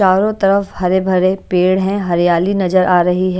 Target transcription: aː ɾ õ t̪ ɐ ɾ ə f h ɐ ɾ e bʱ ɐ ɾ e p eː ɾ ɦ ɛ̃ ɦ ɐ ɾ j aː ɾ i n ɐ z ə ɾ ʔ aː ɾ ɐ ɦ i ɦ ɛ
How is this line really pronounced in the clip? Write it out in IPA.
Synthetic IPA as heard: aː ɾ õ t̪ ɐ ɾ ə f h ɐ ɾ e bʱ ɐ ɾ e p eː ɽ ɦ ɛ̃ ɦ ɐ ɾ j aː l i n ɐ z ə ɾ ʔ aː ɾ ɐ ɦ i ɦ ɛ